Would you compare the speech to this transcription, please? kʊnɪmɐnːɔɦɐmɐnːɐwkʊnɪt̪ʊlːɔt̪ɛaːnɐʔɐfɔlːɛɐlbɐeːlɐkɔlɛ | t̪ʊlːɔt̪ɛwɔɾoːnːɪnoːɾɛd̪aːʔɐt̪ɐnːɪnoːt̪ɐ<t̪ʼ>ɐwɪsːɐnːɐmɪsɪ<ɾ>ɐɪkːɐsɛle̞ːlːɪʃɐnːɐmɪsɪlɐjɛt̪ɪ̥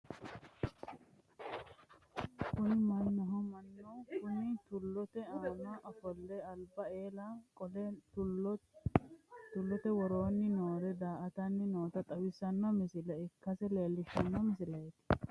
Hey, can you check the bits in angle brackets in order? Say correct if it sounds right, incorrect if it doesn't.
correct, incorrect: l

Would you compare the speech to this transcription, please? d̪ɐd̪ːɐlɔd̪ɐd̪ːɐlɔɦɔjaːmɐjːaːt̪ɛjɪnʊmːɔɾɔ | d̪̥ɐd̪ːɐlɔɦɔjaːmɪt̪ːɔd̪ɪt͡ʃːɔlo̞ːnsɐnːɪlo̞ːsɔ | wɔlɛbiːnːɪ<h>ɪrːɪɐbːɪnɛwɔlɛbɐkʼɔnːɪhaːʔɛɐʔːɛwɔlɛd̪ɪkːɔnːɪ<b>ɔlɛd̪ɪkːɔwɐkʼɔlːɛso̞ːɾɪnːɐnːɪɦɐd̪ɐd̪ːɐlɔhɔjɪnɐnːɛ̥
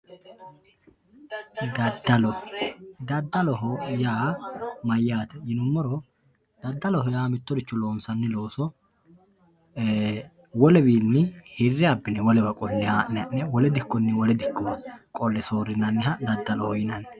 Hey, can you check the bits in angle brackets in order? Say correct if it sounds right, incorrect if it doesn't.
correct, incorrect: w

